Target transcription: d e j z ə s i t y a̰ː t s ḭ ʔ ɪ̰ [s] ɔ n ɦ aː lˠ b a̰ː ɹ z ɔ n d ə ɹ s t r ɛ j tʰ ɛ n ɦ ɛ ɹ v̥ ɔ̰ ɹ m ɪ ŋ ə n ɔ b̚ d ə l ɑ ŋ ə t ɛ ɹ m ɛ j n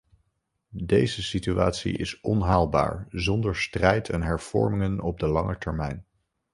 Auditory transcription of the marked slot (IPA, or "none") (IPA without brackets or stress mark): s